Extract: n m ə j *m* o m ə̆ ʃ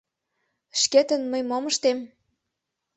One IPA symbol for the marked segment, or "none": m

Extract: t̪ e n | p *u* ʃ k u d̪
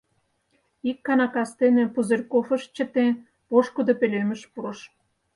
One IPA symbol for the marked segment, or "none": o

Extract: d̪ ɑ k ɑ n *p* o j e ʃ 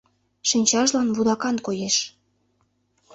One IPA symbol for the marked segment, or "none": k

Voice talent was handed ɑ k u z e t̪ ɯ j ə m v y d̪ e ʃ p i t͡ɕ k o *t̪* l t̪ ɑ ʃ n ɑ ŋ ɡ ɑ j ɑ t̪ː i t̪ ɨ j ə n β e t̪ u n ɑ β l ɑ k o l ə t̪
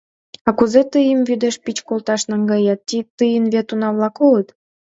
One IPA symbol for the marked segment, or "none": none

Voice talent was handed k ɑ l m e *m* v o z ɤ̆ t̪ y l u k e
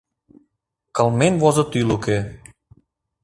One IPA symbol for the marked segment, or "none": n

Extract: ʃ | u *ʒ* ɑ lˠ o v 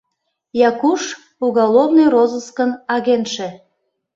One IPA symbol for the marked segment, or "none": ɣ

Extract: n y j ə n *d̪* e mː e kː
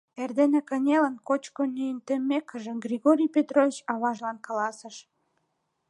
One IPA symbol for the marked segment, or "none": t̪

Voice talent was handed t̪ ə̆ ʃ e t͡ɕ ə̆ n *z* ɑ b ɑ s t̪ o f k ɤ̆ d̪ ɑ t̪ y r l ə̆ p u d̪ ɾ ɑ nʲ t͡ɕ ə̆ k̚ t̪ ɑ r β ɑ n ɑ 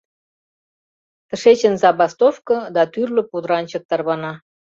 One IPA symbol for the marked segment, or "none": z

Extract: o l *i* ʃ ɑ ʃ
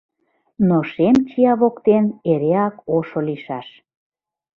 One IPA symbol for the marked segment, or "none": i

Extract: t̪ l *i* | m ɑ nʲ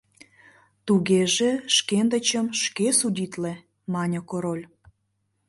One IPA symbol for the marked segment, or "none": e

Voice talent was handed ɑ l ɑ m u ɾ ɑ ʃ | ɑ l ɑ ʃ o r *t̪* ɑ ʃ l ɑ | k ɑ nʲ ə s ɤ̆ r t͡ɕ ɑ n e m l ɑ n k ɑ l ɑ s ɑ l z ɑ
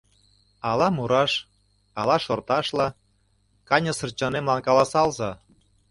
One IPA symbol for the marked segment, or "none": t̪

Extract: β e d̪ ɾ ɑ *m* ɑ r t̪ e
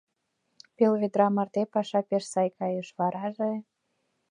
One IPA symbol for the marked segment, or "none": m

